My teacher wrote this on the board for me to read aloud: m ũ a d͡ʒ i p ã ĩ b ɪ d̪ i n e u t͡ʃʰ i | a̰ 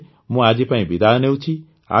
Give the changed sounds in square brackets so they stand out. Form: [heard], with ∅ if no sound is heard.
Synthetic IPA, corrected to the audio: m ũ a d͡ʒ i p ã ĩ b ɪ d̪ [a] n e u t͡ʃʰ i | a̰